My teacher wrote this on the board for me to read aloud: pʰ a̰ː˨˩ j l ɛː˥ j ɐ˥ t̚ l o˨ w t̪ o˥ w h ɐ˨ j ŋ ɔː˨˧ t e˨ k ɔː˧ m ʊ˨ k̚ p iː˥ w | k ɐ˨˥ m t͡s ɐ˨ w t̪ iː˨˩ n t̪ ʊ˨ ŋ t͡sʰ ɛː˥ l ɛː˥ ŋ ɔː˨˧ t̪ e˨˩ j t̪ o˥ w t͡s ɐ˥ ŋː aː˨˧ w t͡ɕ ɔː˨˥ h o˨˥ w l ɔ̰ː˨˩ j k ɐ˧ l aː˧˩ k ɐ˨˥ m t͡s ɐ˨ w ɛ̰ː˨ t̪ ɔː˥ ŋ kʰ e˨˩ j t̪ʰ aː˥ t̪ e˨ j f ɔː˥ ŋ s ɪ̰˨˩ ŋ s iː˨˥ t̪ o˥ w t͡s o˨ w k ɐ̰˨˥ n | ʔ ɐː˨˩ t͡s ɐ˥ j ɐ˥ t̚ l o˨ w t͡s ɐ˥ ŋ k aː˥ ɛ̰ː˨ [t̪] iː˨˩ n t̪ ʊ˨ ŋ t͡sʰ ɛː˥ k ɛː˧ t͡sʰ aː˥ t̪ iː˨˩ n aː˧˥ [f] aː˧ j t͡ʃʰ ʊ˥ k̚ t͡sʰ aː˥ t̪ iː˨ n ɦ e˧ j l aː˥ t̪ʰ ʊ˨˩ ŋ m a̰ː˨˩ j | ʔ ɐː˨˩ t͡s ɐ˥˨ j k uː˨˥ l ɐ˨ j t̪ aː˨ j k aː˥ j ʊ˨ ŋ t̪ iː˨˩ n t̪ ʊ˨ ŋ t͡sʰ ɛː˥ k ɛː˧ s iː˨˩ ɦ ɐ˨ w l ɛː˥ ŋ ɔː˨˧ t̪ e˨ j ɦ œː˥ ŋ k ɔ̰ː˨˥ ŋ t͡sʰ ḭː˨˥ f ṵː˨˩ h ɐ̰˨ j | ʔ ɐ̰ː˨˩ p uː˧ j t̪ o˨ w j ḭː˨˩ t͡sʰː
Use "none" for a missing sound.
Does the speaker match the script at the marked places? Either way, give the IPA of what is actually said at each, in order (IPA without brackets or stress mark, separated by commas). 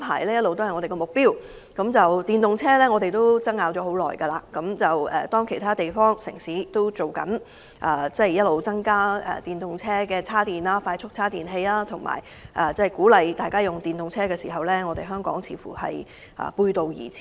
t̪, f